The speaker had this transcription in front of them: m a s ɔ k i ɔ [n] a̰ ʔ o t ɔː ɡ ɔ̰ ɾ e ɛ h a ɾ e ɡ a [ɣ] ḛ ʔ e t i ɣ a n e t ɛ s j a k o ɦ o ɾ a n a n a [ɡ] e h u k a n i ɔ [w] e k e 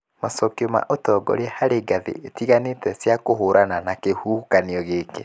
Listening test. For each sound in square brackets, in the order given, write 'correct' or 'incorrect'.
incorrect: m, incorrect: ð, incorrect: k, incorrect: ɣ

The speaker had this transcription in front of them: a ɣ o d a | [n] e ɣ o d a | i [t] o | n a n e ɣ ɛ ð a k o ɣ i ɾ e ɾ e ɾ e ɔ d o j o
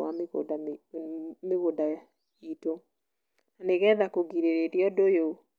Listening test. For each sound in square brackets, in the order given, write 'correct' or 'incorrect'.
incorrect: m, correct

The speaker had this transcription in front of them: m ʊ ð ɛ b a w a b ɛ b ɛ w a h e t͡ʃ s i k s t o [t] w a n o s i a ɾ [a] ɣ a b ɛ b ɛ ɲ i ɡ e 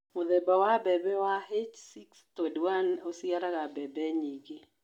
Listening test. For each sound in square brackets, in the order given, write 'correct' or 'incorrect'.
incorrect: d, correct

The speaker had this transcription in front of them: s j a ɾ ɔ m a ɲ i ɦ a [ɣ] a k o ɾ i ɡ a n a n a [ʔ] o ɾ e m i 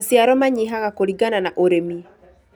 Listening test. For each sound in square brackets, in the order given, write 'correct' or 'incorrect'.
correct, correct

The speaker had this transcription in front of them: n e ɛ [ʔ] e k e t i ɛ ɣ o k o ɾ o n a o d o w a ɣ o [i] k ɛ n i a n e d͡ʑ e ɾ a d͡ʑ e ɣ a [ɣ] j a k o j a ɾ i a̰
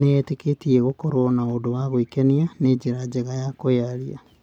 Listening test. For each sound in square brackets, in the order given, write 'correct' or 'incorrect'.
incorrect: t, correct, incorrect: none

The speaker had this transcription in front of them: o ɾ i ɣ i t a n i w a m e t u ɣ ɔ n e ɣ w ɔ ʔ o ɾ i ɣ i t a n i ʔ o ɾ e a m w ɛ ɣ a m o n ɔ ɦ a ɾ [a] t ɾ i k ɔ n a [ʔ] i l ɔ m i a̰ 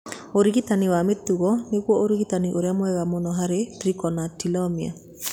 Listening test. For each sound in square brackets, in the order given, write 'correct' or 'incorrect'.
incorrect: e, incorrect: t

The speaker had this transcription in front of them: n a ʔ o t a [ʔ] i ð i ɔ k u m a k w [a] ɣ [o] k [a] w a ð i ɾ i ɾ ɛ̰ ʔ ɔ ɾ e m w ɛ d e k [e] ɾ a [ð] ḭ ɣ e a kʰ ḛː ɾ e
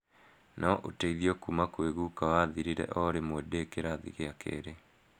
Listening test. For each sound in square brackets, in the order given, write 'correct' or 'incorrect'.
incorrect: none, incorrect: e, incorrect: u, correct, correct, correct

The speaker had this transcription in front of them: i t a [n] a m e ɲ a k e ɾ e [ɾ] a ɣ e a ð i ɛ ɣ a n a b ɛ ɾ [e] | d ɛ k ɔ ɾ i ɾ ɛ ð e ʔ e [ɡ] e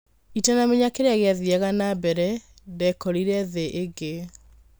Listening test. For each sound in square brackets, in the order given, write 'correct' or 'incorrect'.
correct, incorrect: none, incorrect: ɛ, correct

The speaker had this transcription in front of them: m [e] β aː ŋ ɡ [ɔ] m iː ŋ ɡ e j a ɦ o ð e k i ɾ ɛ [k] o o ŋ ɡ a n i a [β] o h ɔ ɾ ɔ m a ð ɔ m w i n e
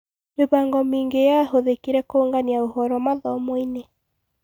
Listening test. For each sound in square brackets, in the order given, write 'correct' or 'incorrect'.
correct, correct, correct, incorrect: none

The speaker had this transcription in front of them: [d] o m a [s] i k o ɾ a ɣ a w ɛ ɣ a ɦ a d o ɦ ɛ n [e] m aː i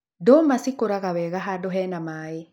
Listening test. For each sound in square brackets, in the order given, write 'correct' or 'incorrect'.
correct, correct, incorrect: a

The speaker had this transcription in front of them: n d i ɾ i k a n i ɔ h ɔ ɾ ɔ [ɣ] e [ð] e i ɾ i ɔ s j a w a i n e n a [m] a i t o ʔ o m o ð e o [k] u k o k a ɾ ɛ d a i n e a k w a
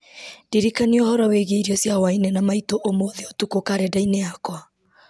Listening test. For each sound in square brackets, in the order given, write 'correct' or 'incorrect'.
incorrect: w, incorrect: ɣ, correct, incorrect: t

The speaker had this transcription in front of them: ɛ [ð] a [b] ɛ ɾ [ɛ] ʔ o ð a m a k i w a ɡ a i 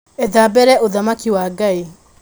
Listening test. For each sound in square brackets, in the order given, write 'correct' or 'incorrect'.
correct, correct, correct

